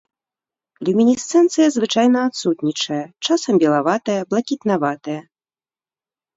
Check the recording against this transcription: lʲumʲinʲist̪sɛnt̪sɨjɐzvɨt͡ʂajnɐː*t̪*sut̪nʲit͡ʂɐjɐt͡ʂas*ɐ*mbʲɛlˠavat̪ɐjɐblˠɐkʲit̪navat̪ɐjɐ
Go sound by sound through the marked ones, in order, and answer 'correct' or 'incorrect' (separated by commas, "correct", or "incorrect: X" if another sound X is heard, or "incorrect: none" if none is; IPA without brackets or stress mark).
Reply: correct, correct